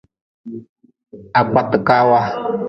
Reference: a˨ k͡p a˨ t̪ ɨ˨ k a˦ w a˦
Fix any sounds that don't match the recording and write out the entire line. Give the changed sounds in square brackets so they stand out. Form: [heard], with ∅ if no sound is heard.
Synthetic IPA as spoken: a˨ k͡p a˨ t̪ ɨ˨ k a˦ w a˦